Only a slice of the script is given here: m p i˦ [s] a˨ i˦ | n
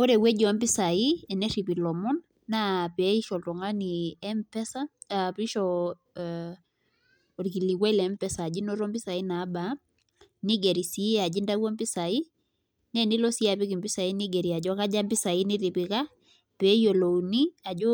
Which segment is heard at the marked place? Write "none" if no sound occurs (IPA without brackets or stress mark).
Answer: s